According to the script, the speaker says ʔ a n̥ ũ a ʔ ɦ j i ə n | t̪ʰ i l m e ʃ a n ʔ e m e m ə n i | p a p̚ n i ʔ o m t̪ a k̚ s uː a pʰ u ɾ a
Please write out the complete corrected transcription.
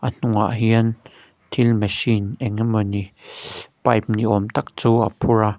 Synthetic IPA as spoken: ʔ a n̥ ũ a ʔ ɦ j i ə n | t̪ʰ i l m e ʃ i n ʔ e ŋ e m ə n i | p a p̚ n i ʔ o m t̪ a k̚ t͡s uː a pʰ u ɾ a